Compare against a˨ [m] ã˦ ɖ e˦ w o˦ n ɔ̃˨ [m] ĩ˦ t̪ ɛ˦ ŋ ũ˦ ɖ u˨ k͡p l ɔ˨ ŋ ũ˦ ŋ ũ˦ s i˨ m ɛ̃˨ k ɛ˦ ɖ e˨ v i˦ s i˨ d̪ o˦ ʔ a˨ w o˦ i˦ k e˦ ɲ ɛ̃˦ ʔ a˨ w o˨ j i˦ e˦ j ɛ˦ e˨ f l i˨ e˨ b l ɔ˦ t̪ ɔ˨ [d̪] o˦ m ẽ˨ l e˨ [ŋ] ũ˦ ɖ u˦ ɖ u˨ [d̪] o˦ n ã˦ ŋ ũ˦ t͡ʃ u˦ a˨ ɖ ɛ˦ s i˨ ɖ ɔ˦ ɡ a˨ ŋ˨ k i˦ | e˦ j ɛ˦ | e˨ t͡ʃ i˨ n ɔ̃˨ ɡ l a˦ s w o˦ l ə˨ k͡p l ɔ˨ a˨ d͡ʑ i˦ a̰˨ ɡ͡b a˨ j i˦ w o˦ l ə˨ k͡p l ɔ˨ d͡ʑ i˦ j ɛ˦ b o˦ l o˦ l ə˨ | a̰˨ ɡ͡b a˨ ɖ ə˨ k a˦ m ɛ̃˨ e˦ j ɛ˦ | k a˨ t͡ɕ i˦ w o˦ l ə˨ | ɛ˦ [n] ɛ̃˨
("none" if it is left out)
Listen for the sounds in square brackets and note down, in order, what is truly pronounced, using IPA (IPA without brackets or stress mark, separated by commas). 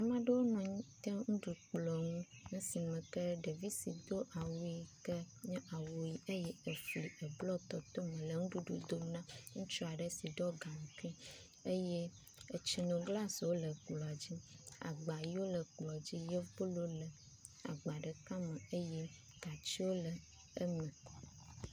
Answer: m, ɲ, t̪, ŋ, d̪, m